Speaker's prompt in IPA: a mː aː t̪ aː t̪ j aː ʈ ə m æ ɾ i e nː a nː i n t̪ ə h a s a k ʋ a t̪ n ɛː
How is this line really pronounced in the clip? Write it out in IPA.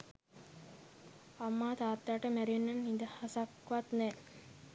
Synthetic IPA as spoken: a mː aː t̪ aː t̪ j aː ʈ ə m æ ɾ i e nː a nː i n d̪ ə h a s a k ʋ a t̪ n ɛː